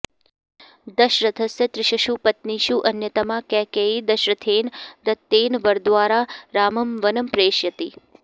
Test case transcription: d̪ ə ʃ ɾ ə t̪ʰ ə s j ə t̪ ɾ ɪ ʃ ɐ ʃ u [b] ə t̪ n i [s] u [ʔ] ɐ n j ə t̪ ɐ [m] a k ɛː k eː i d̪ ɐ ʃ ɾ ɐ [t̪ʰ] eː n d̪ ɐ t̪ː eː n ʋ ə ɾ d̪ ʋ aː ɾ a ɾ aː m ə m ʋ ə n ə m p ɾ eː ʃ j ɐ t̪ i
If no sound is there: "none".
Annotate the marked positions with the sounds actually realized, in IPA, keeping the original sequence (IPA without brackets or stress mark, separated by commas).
p, ʃ, ʔ, m, t̪ʰ